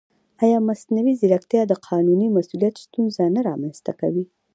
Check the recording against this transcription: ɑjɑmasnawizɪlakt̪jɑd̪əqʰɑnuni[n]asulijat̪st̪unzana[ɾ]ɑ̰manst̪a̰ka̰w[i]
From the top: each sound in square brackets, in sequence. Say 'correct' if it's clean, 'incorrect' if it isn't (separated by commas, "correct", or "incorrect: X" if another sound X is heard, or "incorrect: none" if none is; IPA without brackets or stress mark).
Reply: incorrect: m, correct, correct